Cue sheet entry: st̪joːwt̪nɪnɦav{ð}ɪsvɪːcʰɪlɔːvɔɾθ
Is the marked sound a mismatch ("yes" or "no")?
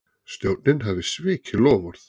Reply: no